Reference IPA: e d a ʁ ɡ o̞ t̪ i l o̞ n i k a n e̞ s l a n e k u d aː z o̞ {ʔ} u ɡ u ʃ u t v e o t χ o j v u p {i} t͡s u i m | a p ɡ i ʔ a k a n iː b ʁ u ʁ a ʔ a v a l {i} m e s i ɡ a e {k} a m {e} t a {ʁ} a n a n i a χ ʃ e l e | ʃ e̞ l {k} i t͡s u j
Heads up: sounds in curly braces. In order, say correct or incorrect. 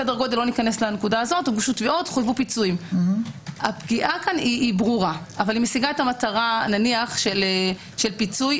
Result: incorrect, correct, correct, incorrect, incorrect, correct, incorrect

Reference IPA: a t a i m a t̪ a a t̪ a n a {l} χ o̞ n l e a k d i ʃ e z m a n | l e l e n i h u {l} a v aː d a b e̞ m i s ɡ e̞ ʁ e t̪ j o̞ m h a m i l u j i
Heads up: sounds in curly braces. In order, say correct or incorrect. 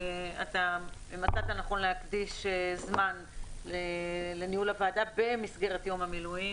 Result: incorrect, correct

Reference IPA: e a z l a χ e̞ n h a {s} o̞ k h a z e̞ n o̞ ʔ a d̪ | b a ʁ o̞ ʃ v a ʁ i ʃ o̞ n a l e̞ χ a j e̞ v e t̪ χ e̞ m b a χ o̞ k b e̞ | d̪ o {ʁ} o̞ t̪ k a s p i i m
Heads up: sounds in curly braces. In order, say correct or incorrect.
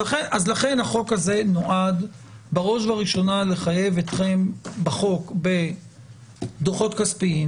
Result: incorrect, incorrect

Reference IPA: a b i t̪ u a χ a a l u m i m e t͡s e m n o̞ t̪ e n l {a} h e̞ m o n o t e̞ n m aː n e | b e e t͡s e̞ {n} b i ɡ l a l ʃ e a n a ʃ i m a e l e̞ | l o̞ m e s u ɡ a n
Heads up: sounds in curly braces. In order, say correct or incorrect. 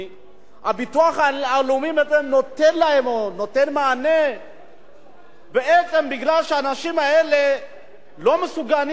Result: correct, incorrect

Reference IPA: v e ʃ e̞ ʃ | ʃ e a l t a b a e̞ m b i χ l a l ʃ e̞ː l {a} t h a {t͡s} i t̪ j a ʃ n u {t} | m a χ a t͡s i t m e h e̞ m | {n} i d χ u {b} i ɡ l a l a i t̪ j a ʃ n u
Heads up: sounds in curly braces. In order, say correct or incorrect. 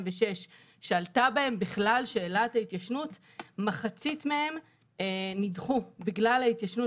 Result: correct, incorrect, correct, correct, correct

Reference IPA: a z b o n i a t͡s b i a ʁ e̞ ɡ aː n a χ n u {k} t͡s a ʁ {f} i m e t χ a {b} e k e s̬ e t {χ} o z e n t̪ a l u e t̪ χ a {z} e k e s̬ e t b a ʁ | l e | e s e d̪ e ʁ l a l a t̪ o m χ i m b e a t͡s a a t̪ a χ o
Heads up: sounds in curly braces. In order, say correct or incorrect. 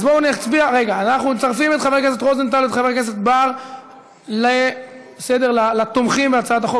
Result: incorrect, correct, incorrect, incorrect, incorrect

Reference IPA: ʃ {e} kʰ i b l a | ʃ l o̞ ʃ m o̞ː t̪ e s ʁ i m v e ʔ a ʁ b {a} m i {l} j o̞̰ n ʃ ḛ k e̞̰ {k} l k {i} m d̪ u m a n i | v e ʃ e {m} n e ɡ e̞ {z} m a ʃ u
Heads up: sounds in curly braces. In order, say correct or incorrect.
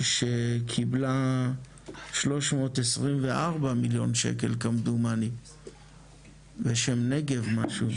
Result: correct, correct, correct, incorrect, incorrect, correct, incorrect

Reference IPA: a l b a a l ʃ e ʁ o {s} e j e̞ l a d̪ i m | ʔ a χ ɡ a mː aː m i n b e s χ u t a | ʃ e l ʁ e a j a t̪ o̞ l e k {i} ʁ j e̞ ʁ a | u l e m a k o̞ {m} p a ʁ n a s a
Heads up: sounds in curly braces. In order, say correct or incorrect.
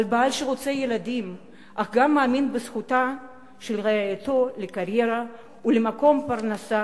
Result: incorrect, incorrect, correct

